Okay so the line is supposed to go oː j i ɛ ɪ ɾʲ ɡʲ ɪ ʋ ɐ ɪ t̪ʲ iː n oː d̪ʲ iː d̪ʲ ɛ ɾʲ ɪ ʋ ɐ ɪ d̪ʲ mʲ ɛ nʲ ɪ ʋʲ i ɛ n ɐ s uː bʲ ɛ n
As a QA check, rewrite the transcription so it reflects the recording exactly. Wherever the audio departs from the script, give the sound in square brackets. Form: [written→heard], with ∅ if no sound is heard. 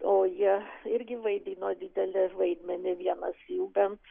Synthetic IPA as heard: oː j i ɛ ɪ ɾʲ ɡʲ ɪ ʋ ɐ ɪ [t̪ʲ→d̪ʲ] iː n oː d̪ʲ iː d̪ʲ ɛ [ɾʲ→lʲ] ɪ ʋ ɐ ɪ d̪ʲ mʲ ɛ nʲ ɪ ʋʲ i ɛ n ɐ s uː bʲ ɛ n

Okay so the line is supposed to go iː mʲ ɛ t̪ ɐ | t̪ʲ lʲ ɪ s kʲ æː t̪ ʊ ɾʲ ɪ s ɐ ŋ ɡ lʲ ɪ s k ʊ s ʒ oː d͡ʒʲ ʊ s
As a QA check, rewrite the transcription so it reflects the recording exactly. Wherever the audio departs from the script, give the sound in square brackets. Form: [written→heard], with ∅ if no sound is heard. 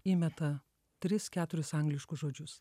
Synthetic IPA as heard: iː mʲ ɛ t̪ ɐ | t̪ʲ [lʲ→ɾʲ] ɪ s kʲ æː t̪ ʊ ɾʲ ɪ s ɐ ŋ ɡ lʲ ɪ [s→ʃ] k ʊ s ʒ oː d͡ʒʲ ʊ s

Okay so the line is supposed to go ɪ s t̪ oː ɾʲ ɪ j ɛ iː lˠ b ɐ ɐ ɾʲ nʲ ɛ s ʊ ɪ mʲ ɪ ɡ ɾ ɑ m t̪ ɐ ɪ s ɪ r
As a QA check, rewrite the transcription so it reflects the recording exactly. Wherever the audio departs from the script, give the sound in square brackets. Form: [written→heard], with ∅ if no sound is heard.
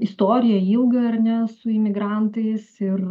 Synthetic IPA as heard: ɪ s t̪ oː ɾʲ ɪ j ɛ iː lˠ [b→ɡ] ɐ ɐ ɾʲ nʲ ɛ s ʊ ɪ mʲ ɪ ɡ ɾ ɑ [m→n] t̪ ɐ ɪ s ɪ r

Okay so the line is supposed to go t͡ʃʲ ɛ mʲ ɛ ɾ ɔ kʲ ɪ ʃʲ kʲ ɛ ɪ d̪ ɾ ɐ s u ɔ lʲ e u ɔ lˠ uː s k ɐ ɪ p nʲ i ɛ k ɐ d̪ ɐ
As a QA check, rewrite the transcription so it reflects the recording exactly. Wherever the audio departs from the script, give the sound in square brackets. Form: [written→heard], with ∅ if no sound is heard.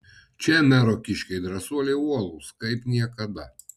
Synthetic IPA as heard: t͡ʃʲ ɛ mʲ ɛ ɾ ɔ kʲ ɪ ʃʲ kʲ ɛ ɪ d̪ ɾ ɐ s u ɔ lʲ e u ɔ lˠ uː s k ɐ ɪ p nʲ i ɛ k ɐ d̪ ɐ

